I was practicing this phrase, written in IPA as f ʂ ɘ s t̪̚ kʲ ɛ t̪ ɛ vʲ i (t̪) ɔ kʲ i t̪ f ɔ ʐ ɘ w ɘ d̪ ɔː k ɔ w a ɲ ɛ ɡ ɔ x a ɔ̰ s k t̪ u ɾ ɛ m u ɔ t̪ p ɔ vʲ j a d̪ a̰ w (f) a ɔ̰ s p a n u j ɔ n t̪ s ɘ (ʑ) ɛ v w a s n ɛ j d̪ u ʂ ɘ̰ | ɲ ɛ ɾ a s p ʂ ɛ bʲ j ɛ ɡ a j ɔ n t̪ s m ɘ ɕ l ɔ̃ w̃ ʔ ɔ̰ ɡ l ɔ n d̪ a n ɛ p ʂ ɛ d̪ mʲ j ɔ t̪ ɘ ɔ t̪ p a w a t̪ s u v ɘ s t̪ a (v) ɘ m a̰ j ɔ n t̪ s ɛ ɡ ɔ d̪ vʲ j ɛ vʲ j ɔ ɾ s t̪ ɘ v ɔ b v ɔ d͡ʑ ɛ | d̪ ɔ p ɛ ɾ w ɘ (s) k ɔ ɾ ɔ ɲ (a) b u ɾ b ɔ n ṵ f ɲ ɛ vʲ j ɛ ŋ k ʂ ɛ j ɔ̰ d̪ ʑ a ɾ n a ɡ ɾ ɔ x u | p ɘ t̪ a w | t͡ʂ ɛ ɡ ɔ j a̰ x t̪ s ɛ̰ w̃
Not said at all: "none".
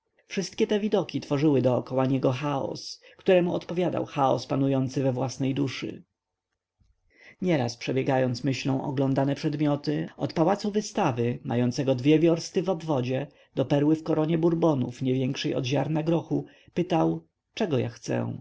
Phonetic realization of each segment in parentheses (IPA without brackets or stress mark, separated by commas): d̪, x, v, v, f, ɛ